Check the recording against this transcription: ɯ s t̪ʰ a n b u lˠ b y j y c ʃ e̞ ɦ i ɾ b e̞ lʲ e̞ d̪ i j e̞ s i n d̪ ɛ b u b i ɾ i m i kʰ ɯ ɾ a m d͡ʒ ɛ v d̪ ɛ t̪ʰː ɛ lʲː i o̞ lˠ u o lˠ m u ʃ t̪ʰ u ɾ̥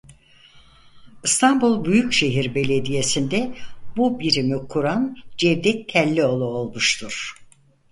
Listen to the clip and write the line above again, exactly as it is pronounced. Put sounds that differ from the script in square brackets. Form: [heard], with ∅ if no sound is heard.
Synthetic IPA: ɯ s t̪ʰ a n b u lˠ b y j y c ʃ e̞ ɦ i ɾ b e̞ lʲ e̞ d̪ i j e̞ s i n d̪ ɛ b u b i ɾ i m i kʰ [u] ɾ a [n] d͡ʒ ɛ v d̪ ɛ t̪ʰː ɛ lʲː i o̞ lˠ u o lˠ m u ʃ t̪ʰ u ɾ̥